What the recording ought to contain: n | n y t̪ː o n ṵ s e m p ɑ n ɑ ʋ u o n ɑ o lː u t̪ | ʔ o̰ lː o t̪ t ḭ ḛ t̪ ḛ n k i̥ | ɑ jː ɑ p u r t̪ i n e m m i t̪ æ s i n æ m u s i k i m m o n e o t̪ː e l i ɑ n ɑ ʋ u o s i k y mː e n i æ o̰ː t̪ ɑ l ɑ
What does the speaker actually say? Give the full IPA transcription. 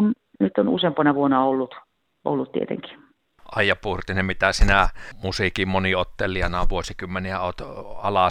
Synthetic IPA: n | n y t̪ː o n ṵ s e m p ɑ n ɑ ʋ u o n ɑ o lː u t̪ | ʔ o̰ lː u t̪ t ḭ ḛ t̪ ḛ ŋ k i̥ | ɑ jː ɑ p u r t̪ i n e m m i t̪ æ s i n æ m u s i k i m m o n i o t̪ː e l i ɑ n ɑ ʋ u o s i k y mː e n i æ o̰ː t̪ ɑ l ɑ